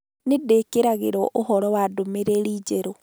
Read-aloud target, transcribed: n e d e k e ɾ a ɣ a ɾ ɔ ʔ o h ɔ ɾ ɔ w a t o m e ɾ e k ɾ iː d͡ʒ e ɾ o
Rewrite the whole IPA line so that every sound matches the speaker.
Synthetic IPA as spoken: n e d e k e ɾ a ɣ e ɾ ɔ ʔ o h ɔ ɾ ɔ w a d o m e ɾ e ɾ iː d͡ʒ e ɾ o